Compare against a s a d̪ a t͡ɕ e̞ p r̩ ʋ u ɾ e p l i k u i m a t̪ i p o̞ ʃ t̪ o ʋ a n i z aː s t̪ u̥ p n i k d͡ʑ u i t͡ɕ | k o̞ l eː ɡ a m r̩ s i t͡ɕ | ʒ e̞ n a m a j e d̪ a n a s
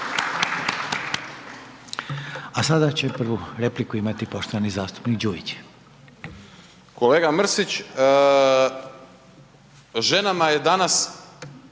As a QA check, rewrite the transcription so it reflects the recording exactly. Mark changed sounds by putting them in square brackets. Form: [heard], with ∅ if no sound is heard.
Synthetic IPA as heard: a s a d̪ a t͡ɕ e̞ p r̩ ʋ u ɾ e p l i k u i m a t̪ i p o̞ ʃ t̪ o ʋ a n i z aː s t̪ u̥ p n i k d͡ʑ u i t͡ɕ | k o̞ l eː ɡ a m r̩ s i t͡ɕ | ʒ e̞ n a m a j e d̪ a n a s